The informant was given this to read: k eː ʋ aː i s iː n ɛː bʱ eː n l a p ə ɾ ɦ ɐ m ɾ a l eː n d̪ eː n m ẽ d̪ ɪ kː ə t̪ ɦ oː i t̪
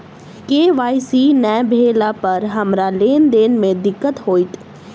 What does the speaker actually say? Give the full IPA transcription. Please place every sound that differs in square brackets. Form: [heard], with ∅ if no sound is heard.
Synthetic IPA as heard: k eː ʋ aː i s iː n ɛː bʱ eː [∅] l a p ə ɾ ɦ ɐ m ɾ a l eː n d̪ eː n m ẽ d̪ ɪ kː ə t̪ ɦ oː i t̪